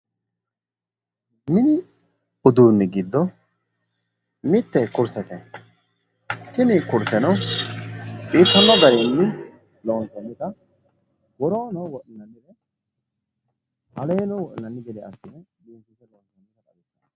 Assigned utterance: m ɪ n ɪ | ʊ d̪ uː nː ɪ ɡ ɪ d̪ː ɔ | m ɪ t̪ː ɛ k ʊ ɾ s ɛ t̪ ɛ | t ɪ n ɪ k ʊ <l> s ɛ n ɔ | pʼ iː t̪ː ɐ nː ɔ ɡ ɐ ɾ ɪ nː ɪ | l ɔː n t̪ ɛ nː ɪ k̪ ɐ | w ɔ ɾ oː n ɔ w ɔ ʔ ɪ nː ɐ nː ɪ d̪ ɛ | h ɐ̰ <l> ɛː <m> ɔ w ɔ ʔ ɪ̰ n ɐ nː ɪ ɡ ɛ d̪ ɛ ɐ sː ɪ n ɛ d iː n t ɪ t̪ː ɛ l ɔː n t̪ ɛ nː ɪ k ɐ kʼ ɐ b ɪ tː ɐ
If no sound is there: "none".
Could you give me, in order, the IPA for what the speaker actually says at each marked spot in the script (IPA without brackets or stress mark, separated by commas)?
ɾ, l, n